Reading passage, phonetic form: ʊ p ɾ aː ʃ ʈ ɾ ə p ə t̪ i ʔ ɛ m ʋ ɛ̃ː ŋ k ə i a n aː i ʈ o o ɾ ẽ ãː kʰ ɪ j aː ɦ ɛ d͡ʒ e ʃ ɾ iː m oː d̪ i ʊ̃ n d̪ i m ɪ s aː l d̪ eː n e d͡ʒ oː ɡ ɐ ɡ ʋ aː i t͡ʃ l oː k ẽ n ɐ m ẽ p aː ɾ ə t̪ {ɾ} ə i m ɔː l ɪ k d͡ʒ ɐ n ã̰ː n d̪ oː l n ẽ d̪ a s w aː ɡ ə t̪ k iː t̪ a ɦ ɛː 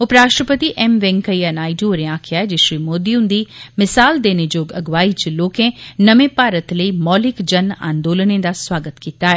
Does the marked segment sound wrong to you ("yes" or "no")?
yes